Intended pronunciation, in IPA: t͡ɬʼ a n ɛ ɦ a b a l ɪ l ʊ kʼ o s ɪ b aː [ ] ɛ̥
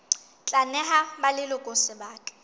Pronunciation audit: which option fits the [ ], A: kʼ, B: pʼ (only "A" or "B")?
A